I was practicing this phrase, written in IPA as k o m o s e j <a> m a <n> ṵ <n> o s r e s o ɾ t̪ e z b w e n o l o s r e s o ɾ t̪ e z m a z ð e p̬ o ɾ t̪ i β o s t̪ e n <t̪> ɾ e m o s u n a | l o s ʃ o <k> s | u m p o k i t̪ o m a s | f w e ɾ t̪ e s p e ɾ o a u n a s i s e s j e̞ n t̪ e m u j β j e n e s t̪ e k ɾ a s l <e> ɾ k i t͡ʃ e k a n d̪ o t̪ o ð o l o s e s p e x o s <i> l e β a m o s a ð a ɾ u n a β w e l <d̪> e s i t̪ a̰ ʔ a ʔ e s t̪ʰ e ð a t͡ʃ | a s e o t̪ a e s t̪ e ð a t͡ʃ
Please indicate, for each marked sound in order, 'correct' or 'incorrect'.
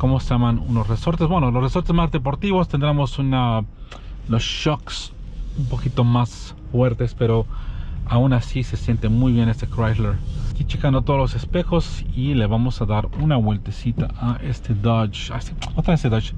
correct, correct, correct, incorrect, correct, correct, correct, incorrect

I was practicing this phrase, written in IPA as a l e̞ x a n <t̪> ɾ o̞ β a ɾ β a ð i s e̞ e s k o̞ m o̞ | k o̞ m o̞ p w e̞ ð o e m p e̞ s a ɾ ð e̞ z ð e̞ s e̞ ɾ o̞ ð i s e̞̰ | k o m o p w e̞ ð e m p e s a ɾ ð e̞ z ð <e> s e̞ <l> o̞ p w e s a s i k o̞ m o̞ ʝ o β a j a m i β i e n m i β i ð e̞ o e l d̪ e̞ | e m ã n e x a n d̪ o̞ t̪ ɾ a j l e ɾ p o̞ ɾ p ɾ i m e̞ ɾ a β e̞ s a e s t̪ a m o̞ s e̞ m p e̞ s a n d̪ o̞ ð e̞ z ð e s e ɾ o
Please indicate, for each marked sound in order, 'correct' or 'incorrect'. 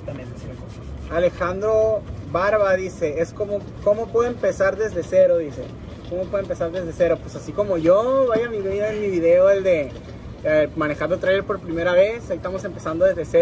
incorrect, correct, incorrect

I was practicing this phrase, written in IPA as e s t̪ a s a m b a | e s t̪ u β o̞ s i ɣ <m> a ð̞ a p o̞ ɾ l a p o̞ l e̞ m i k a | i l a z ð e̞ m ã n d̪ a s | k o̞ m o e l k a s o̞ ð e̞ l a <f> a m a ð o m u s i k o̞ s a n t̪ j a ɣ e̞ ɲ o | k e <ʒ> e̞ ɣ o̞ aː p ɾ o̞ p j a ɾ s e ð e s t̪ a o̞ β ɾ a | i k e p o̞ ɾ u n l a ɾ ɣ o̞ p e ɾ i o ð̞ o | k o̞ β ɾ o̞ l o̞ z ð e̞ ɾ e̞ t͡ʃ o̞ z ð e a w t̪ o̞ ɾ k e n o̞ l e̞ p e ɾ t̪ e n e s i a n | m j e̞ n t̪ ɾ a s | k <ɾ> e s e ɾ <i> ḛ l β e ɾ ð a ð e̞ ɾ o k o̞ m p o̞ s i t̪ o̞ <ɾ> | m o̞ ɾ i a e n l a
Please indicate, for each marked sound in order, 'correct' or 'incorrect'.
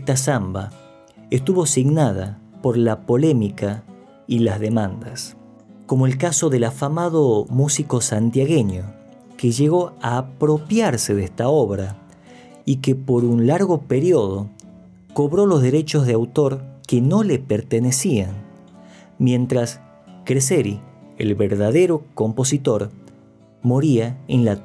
incorrect, correct, correct, correct, correct, correct

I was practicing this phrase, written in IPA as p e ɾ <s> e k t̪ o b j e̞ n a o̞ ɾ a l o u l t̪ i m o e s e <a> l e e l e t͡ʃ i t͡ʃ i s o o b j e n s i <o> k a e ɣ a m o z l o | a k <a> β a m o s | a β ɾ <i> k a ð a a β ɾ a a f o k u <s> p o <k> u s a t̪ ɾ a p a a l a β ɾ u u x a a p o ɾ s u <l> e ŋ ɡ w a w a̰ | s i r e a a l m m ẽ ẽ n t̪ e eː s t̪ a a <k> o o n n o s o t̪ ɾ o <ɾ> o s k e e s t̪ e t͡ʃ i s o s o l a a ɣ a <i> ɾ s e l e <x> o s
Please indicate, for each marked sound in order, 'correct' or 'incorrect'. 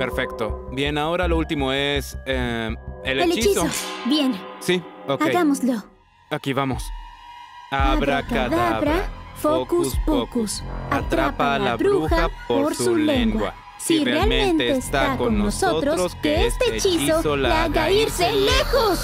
incorrect, incorrect, correct, incorrect, incorrect, correct, correct, correct, correct, correct, correct, correct

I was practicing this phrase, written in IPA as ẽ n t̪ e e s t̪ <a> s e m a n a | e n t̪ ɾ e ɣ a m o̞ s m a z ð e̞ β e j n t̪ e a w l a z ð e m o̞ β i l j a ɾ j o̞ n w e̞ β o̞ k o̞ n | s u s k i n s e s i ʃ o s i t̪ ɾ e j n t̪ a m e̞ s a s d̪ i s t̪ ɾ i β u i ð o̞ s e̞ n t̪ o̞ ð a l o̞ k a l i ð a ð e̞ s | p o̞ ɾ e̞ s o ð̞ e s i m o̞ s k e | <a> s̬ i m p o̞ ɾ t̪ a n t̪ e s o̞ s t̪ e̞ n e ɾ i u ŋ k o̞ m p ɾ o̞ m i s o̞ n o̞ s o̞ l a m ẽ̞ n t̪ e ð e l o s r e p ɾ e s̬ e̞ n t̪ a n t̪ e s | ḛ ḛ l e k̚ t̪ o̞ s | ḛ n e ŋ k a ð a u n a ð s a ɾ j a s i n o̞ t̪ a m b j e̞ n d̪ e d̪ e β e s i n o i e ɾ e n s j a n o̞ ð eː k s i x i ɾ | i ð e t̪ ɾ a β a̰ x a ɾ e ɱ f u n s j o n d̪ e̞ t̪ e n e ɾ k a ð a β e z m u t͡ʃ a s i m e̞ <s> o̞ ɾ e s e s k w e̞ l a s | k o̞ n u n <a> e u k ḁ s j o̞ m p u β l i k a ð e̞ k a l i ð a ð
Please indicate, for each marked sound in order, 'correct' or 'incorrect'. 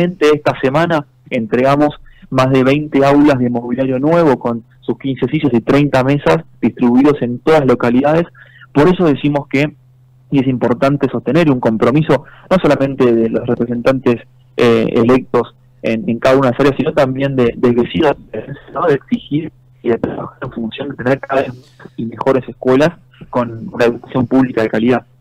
correct, incorrect, incorrect, correct

